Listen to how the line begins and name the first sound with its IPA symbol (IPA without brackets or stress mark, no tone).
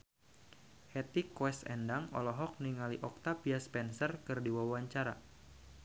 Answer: h